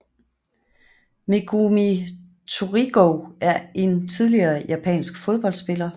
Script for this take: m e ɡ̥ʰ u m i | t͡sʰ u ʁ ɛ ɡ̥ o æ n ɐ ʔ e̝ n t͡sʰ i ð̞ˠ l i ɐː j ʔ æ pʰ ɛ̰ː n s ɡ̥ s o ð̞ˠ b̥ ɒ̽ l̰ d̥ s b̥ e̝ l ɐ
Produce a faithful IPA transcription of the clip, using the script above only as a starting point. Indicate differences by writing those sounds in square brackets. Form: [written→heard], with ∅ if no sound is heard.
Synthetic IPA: m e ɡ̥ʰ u m i | t͡sʰ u ʁ [ɛ→i] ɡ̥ o æ [n→∅] ɐ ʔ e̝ n t͡sʰ i ð̞ˠ l i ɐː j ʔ æ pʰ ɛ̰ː n s ɡ̥ [s→f] o ð̞ˠ b̥ ɒ̽ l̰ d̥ s b̥ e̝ l ɐ